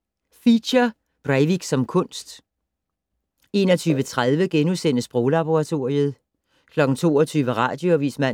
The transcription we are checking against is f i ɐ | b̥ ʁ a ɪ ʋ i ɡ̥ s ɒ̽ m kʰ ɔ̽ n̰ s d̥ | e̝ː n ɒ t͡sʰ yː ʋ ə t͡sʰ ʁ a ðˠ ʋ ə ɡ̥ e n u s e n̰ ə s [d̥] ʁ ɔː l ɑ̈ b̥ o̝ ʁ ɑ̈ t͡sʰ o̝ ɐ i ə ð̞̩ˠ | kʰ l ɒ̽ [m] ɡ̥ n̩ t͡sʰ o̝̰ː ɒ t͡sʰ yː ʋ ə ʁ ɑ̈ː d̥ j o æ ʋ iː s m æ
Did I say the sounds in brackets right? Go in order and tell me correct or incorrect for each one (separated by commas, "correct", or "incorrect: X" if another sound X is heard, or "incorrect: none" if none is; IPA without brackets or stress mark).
incorrect: b̥, incorrect: none